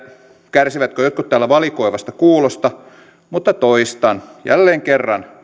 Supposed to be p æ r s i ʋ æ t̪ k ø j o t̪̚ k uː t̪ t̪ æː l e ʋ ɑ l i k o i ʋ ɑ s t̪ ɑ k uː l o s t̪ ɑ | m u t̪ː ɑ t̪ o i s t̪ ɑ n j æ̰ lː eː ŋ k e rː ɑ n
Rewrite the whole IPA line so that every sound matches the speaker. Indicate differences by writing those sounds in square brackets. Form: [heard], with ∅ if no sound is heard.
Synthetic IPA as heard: [k] æ r s i ʋ æ t̪ k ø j o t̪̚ k [u] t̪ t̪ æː l [æ] ʋ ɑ l i k o i ʋ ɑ s t̪ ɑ k uː l o s t̪ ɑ | m u t̪ː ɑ t̪ o i s t̪ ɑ n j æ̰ lː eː ŋ k e rː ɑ n